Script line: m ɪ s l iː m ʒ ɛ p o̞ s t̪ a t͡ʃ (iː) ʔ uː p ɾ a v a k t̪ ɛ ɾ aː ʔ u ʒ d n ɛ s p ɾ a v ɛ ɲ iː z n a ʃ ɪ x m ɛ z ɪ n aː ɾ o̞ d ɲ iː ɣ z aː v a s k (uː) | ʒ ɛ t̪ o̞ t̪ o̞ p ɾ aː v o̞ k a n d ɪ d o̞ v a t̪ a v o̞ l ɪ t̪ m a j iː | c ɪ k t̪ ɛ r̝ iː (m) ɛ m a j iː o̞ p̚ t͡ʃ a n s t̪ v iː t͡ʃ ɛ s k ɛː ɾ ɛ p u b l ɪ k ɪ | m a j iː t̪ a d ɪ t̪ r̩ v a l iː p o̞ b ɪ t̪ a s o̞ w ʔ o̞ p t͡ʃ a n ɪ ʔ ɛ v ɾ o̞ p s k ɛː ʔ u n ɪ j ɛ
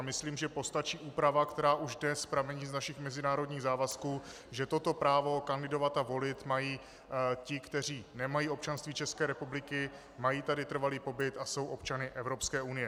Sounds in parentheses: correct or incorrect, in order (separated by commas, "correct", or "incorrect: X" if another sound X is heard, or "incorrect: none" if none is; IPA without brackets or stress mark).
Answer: correct, correct, incorrect: n